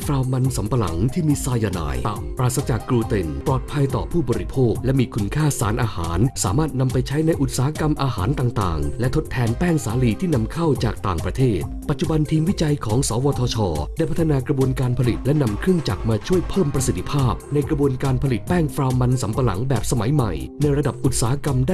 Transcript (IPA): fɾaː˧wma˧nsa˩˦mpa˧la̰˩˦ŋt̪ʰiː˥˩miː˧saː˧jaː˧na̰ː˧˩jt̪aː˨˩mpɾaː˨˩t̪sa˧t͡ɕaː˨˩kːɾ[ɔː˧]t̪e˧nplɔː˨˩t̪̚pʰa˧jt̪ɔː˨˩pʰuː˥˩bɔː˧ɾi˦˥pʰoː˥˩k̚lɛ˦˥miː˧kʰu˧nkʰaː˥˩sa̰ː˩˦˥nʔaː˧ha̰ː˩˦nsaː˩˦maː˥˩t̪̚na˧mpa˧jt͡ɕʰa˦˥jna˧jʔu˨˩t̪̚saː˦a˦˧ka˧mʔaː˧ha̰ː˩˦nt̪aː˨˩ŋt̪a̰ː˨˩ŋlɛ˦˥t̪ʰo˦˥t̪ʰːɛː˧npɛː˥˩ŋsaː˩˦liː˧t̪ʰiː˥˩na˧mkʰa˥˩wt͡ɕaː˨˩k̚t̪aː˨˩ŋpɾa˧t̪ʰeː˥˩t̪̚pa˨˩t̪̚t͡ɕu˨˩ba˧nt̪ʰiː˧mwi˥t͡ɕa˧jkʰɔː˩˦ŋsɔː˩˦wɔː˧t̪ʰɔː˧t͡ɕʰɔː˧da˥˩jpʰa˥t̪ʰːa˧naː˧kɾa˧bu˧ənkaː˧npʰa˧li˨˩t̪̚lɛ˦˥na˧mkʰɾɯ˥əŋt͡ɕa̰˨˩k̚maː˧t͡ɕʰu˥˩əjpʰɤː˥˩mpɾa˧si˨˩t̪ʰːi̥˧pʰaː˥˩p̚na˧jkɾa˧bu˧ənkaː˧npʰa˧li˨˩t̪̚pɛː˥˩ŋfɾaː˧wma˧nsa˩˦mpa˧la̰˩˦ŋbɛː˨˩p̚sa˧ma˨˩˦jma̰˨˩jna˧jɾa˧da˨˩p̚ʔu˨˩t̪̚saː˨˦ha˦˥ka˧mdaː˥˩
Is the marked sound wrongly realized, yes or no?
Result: yes